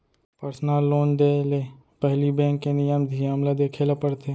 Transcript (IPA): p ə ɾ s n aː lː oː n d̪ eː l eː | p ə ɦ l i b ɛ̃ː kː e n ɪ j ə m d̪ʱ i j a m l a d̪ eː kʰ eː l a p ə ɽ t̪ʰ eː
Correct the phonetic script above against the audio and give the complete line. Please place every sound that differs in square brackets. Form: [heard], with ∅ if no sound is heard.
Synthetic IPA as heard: p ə ɾ s n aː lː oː n d̪ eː l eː | p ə ɦ l i b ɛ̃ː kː e n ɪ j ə m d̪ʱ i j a m l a d̪ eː kʰ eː l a p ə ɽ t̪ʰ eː